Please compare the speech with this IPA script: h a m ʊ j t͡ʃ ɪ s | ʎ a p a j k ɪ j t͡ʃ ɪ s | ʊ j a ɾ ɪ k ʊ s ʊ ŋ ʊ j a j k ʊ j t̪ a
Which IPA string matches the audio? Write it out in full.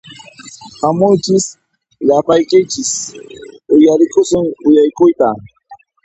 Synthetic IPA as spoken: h a m ʊ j t͡ʃ ɪ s | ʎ a p a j k ɪ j t͡ʃ ɪ s | ʊ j a ɾ ɪ k ʊ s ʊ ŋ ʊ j a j k ʊ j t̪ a